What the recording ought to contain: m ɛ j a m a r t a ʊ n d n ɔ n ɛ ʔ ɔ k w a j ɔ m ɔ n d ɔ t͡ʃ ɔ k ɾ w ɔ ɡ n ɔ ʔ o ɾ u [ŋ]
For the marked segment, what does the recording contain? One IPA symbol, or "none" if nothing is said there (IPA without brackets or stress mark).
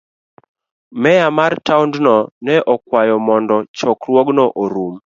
m